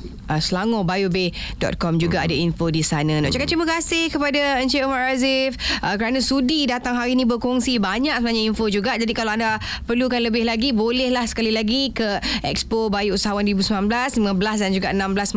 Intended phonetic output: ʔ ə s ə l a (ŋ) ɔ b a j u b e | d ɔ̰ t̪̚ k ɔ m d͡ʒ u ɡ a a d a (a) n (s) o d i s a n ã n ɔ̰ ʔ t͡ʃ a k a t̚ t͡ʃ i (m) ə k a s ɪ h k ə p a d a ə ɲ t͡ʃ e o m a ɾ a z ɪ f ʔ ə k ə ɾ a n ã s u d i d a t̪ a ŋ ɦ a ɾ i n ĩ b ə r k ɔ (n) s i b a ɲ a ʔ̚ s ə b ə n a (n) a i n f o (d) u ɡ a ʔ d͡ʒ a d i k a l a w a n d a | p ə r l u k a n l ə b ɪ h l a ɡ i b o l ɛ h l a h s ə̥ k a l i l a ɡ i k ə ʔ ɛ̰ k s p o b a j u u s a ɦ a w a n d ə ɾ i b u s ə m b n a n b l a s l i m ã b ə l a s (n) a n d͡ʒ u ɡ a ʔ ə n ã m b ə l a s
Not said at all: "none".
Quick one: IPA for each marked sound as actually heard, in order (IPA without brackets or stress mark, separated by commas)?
ŋ, i, f, m, ŋ, ɲ, d͡ʒ, d